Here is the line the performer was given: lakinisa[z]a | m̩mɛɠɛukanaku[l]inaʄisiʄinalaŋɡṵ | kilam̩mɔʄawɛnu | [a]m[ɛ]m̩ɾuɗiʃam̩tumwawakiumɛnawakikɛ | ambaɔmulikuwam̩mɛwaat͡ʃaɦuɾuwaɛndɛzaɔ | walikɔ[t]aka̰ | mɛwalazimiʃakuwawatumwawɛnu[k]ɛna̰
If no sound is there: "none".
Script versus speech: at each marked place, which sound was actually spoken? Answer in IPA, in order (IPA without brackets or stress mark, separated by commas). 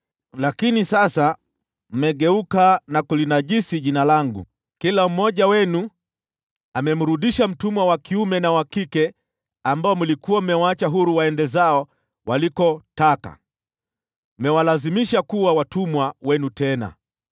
s, l, a, ɛ, t, t